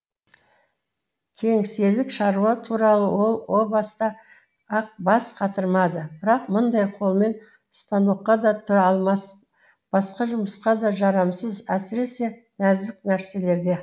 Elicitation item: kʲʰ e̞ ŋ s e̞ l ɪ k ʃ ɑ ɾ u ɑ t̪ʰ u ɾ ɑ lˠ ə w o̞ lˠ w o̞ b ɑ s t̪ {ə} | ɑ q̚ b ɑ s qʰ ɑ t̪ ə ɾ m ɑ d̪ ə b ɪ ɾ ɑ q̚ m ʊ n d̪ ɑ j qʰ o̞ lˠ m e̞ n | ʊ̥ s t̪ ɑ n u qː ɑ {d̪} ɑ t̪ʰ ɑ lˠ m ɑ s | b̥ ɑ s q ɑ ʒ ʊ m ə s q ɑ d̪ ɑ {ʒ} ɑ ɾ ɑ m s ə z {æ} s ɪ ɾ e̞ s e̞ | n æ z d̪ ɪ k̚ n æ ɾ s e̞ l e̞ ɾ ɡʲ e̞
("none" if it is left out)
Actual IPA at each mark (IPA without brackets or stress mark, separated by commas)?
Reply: ɑ, d̪, ʒ, æ